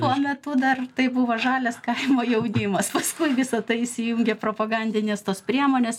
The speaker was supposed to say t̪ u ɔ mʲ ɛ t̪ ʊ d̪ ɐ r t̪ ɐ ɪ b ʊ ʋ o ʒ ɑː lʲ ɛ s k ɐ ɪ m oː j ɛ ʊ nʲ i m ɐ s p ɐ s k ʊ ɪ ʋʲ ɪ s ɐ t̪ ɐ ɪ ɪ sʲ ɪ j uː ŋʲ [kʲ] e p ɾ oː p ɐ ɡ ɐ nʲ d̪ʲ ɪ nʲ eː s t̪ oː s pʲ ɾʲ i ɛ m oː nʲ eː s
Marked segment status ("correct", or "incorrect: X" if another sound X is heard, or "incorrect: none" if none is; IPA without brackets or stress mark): incorrect: ɡʲ